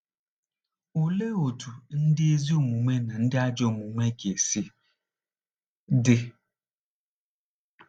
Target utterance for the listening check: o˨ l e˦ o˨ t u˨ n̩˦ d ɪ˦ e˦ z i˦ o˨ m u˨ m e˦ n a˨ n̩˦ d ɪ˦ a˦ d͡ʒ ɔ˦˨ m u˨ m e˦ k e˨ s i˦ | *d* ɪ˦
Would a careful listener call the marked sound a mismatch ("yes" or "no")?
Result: no